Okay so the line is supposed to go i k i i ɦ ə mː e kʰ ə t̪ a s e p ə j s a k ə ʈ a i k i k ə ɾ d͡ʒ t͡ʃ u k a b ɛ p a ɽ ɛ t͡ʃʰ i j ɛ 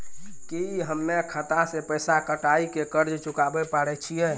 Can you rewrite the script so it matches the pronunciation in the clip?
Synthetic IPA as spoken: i k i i ɦ ə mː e kʰ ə t̪ a s e p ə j s a k ə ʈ a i k e k ə ɾ d͡ʒ t͡ʃ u k a b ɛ p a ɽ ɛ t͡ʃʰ i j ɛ